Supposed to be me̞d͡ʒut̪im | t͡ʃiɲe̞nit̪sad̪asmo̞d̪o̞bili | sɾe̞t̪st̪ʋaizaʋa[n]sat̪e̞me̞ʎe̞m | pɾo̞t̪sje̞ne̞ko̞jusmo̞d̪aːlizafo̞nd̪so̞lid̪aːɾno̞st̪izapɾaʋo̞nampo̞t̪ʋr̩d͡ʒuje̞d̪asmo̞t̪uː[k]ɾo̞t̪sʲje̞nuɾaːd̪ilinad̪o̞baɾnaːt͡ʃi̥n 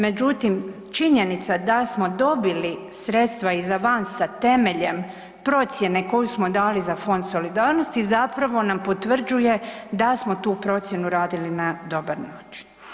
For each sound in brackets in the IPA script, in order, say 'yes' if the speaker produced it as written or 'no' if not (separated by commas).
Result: yes, no